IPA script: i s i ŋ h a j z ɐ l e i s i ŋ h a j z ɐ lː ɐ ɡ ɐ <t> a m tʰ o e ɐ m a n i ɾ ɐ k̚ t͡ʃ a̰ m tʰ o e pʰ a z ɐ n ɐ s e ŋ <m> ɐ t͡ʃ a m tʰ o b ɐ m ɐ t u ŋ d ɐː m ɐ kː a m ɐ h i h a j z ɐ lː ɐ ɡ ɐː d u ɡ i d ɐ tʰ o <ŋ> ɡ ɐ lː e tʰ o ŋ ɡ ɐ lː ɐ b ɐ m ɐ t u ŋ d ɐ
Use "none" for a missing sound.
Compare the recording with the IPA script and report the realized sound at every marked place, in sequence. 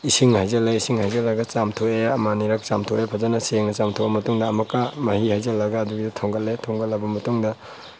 t͡ʃ, n, ŋ

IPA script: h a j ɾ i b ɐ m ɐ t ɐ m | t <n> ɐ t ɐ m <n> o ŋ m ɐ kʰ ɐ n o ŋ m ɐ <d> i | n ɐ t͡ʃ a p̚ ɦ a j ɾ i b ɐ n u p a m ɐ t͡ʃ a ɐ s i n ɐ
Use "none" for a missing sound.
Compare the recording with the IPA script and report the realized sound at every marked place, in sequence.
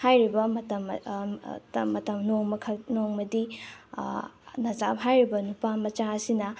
m, n, d

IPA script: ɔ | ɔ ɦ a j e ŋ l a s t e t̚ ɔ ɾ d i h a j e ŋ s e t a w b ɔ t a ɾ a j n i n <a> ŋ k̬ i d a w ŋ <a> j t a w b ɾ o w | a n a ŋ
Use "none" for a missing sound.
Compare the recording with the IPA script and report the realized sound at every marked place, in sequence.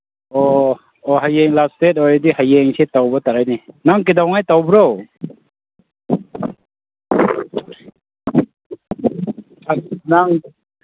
a, a

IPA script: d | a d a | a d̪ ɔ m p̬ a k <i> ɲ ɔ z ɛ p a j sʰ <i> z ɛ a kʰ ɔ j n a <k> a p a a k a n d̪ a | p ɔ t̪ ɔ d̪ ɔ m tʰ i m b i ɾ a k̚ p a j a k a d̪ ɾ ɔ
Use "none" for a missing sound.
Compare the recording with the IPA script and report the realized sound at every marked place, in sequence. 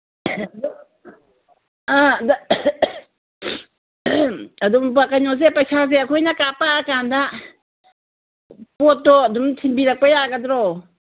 a, a, k

